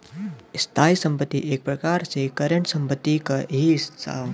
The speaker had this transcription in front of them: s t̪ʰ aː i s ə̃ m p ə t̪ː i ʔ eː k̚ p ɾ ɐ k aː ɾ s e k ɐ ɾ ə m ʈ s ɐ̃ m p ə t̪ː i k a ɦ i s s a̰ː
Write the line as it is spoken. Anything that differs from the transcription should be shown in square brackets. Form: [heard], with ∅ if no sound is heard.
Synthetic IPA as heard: s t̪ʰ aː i s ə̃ m p ə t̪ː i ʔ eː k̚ p ɾ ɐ k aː ɾ s e k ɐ ɾ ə [ɳ] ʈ s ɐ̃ m p ə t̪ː i k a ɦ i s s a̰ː